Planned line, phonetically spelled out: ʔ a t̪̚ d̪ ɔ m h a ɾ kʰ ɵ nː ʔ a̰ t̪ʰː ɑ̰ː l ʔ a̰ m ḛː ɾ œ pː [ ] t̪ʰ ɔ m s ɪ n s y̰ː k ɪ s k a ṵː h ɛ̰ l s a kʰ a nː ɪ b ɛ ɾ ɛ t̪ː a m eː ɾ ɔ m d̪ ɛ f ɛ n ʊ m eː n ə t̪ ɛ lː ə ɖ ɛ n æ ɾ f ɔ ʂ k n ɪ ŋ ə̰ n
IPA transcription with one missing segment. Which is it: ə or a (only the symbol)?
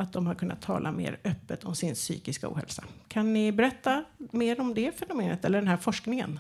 ə